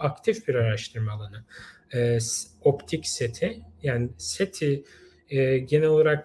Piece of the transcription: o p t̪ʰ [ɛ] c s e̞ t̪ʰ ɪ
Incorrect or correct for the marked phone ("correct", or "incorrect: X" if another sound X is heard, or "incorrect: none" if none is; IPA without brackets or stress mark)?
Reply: incorrect: i